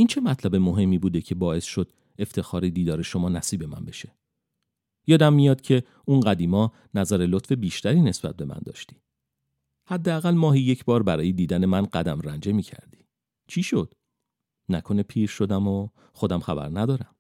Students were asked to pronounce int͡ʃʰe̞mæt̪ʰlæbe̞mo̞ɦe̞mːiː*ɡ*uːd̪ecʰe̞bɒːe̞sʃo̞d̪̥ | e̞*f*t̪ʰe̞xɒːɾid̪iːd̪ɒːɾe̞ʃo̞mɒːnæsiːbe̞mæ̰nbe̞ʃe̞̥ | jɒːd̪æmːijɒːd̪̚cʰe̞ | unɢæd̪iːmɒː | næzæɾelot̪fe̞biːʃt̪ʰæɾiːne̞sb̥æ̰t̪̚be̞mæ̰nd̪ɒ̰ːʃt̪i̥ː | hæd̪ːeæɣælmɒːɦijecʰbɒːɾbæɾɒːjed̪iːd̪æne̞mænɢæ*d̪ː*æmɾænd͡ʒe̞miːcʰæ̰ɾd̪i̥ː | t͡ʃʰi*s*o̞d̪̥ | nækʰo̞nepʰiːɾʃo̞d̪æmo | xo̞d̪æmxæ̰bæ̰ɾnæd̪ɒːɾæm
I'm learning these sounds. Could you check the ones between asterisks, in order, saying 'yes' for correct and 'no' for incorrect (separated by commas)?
no, yes, no, no